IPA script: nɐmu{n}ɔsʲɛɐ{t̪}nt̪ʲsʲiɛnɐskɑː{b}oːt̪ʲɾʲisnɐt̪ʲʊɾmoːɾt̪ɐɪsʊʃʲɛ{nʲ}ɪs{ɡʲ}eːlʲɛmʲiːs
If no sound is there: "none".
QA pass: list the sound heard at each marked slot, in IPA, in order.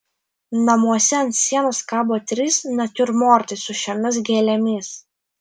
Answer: none, none, b, mʲ, ɡʲ

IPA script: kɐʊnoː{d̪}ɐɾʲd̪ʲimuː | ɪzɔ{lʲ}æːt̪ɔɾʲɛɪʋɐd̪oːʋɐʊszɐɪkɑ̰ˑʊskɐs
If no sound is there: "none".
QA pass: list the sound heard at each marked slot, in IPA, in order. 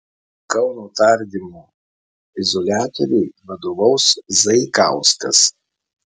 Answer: t̪, lʲ

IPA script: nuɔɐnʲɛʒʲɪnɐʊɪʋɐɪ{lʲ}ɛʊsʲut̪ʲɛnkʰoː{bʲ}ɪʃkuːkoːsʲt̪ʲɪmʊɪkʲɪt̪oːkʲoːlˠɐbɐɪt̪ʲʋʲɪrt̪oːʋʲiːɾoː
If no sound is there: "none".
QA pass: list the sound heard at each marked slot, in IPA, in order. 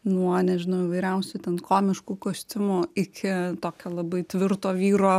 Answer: ɾʲ, mʲ

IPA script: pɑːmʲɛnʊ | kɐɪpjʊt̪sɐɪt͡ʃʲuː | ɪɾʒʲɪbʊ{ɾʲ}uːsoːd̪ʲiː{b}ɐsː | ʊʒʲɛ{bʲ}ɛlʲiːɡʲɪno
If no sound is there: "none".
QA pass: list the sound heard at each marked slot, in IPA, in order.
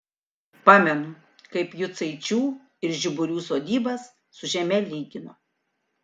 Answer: ɾʲ, b, mʲ

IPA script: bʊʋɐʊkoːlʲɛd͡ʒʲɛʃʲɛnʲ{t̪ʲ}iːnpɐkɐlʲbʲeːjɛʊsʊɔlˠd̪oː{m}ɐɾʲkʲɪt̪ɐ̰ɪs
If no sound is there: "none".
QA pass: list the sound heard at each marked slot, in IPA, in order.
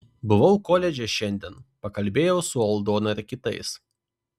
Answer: d̪ʲ, n

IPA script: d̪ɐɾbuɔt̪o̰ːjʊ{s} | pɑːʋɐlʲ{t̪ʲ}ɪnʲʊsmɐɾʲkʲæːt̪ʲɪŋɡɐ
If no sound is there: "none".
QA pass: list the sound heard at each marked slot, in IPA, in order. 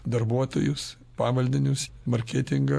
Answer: s, d̪ʲ

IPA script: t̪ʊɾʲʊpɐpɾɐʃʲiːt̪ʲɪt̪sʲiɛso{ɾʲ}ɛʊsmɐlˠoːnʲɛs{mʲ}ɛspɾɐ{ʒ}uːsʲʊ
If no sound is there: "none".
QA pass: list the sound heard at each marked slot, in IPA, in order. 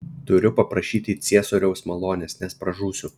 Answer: ɾʲ, nʲ, ʒ

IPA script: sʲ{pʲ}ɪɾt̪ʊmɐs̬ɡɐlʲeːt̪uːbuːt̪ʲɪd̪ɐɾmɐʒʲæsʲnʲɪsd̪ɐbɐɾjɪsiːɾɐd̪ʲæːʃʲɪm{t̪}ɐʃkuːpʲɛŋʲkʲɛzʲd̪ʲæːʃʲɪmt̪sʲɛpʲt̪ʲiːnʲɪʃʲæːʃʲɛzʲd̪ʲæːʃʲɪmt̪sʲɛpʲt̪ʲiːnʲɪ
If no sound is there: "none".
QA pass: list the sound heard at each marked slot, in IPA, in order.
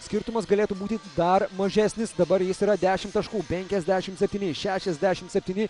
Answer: kʲ, t̪

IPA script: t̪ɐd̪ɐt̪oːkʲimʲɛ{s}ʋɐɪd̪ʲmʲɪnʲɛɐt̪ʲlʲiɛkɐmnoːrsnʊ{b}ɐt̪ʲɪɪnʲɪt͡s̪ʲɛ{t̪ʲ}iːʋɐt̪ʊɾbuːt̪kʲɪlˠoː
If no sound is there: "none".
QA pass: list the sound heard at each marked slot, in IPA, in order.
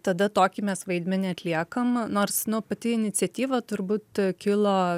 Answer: s, p, t̪ʲ

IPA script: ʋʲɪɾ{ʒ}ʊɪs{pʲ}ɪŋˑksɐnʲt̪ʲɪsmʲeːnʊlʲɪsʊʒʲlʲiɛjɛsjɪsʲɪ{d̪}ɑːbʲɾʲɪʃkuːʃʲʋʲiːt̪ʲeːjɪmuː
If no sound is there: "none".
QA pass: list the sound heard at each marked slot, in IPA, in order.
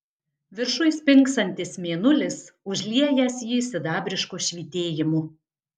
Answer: ʃ, pʲ, d̪

